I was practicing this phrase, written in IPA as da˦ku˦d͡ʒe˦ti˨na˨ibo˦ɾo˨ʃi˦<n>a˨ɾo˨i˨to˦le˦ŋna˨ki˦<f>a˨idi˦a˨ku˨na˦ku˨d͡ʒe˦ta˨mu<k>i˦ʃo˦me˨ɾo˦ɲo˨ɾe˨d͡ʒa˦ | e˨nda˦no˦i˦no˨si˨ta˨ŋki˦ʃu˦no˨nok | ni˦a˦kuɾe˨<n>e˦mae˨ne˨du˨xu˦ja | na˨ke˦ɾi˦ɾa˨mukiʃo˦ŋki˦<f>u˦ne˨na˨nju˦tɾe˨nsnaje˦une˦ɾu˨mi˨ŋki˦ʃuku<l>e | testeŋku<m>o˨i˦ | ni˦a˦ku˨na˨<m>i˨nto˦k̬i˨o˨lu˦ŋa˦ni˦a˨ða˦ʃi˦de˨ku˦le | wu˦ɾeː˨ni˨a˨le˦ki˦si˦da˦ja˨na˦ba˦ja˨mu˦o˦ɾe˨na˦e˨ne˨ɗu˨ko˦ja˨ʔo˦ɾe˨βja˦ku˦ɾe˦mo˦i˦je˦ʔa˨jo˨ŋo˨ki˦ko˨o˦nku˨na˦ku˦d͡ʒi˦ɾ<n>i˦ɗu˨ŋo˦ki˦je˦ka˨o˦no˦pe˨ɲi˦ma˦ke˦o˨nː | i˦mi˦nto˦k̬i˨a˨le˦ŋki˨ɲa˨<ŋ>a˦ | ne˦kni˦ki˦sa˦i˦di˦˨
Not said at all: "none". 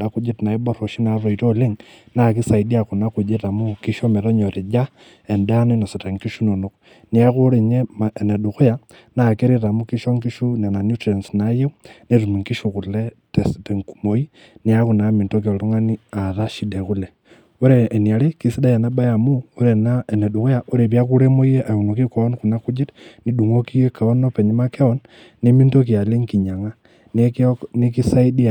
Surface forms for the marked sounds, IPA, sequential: n, s, k, ɲ, ʃ, l, m, m, n, ŋ

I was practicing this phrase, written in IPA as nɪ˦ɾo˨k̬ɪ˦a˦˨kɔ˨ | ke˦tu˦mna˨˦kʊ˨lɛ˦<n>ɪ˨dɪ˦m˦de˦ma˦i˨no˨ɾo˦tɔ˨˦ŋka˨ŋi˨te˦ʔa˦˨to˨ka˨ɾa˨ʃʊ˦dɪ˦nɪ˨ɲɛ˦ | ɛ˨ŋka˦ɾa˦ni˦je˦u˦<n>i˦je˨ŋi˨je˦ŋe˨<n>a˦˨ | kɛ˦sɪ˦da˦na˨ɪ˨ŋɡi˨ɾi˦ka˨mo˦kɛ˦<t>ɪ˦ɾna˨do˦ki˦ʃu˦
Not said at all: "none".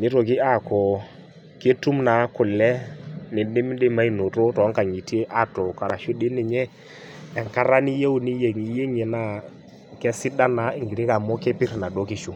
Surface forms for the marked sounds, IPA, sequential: n, n, n, p

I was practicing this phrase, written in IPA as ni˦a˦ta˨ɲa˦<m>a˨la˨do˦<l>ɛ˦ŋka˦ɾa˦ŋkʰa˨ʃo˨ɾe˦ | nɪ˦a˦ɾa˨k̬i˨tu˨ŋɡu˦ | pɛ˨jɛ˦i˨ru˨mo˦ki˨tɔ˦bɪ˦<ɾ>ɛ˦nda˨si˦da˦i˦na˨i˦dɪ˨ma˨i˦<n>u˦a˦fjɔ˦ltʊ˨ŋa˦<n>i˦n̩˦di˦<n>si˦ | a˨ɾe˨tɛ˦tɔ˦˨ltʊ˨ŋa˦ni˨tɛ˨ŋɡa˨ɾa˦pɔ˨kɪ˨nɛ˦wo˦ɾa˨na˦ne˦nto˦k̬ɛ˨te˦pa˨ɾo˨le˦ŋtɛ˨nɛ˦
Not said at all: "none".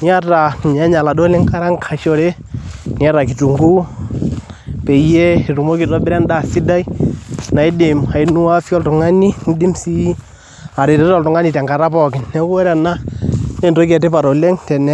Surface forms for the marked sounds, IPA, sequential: ɲ, l, ɾ, n, n, m

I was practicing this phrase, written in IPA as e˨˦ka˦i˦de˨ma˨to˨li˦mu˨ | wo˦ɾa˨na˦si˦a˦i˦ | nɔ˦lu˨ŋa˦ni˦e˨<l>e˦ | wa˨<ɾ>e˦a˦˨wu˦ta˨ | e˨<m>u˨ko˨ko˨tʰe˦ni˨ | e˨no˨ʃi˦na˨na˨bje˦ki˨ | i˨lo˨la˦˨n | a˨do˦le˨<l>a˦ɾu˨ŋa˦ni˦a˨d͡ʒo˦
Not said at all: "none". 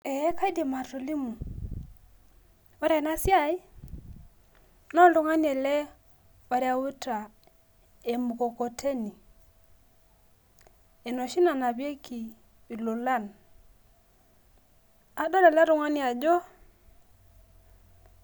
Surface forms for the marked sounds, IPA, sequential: l, ɾ, m, l

